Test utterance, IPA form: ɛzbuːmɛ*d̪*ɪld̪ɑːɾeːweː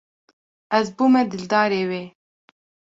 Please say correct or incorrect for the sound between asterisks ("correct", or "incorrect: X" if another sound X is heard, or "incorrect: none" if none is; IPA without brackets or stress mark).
correct